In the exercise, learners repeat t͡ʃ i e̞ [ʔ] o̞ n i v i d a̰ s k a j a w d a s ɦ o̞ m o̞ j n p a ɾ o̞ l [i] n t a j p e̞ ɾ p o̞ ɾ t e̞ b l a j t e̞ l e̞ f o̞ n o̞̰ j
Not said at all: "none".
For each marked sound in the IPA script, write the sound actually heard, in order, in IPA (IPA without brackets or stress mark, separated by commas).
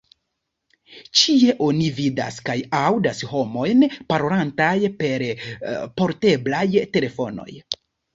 ʔ, a